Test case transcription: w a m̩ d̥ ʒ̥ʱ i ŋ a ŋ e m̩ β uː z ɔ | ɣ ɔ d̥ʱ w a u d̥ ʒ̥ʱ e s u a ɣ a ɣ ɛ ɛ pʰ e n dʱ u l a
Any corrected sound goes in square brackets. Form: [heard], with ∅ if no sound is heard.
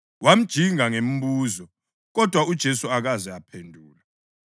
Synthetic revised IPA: w a m̩ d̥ ʒ̥ʱ i ŋ a ŋ e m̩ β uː z ɔ | ɣ ɔ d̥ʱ w a u d̥ ʒ̥ʱ e s u a ɣ a [z] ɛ [a] pʰ e n dʱ [uː] l a